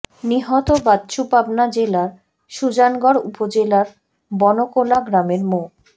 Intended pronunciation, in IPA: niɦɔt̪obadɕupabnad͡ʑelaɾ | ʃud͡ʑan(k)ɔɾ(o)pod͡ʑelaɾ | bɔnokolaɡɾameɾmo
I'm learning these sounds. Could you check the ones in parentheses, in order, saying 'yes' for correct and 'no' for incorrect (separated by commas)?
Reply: no, no